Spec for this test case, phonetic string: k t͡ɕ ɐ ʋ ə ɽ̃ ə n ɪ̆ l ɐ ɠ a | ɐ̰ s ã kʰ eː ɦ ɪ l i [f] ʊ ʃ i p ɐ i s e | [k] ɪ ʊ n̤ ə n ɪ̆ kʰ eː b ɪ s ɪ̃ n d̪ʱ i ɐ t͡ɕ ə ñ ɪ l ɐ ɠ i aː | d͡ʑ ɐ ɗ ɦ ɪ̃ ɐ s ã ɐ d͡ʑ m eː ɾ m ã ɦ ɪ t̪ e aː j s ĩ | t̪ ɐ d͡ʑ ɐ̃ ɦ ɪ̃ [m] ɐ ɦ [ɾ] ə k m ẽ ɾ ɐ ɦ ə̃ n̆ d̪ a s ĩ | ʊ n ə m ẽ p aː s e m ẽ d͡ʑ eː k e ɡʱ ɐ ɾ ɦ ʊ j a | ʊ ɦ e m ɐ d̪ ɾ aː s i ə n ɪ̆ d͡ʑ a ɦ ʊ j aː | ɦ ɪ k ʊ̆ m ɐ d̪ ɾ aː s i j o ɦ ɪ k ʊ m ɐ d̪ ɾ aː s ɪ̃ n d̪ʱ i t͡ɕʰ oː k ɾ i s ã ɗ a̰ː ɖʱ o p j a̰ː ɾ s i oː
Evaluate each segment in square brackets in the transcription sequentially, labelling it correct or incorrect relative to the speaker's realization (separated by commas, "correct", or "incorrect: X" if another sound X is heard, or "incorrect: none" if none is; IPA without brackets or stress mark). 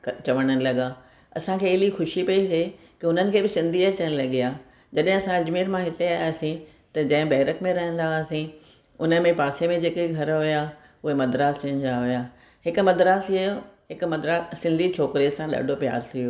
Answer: incorrect: x, correct, incorrect: b, correct